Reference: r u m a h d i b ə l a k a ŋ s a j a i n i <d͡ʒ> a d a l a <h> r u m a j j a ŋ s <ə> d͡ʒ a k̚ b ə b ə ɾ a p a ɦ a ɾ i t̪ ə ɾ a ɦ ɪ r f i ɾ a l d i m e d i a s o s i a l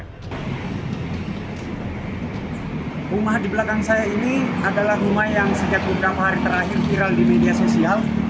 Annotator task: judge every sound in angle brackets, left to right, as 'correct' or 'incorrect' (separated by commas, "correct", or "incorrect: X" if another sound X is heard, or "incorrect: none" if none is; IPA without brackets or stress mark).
incorrect: none, correct, correct